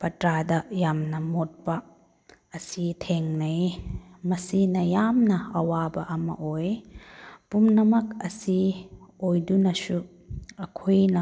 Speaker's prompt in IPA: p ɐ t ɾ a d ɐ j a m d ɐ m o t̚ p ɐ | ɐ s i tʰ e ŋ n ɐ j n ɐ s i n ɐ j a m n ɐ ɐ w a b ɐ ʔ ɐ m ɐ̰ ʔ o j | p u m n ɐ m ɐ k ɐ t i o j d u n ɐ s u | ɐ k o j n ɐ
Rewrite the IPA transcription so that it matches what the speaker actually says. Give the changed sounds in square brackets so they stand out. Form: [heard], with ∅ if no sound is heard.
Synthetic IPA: p ɐ t ɾ a d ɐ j a m [n] ɐ m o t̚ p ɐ | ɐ s i tʰ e ŋ n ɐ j [m] ɐ s i n ɐ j a m n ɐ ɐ w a b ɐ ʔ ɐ m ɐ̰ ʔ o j | p u m n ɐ m ɐ k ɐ [s] i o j d u n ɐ s u | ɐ [kʰ] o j n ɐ